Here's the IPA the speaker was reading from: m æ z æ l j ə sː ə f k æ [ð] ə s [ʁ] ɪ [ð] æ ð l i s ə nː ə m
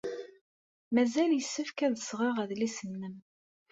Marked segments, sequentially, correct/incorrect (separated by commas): correct, correct, incorrect